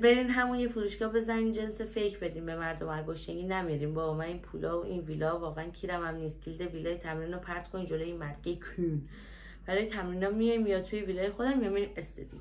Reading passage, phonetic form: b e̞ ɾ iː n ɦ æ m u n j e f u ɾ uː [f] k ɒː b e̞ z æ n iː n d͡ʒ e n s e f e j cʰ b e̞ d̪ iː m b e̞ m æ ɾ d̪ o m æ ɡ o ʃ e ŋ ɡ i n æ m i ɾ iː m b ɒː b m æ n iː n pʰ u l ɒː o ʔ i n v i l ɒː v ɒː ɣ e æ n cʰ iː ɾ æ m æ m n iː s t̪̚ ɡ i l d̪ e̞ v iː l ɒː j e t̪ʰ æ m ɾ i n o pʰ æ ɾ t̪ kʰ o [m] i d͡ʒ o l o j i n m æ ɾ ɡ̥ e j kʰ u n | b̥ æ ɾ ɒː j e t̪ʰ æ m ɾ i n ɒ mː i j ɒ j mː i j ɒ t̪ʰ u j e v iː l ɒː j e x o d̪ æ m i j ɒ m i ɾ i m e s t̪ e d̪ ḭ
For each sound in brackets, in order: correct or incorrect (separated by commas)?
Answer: incorrect, incorrect